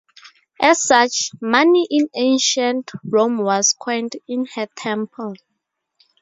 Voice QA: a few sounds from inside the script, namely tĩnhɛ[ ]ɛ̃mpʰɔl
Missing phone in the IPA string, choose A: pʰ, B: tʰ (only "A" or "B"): B